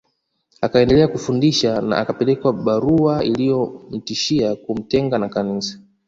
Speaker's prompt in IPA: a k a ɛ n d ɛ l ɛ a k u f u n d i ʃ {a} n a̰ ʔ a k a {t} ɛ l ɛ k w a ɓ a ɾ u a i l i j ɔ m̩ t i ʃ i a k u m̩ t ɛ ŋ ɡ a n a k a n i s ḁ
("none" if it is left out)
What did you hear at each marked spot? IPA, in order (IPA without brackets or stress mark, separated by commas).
a, p